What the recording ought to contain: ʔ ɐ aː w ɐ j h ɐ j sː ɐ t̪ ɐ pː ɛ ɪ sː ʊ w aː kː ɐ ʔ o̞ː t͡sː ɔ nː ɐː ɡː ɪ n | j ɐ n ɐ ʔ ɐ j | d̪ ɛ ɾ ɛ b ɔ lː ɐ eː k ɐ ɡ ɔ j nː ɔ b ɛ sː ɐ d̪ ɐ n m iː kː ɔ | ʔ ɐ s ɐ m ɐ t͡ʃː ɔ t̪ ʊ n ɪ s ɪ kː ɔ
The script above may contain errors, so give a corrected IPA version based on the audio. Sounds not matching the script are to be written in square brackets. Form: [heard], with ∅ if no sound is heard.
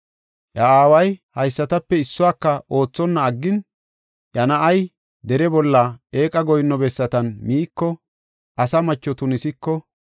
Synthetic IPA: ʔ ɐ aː w ɐ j h ɐ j sː ɐ t̪ ɐ pː ɛ ɪ sː ʊ w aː kː ɐ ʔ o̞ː t͡sː ɔ nː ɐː ɡː ɪ n | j ɐ n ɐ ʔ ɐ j | d̪ ɛ ɾ ɛ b ɔ lː ɐ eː [kʼ] ɐ ɡ ɔ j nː ɔ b ɛ sː ɐ [t̪] ɐ n m iː kː ɔ | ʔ ɐ s ɐ m ɐ t͡ʃː ɔ t̪ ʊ n ɪ s ɪ kː ɔ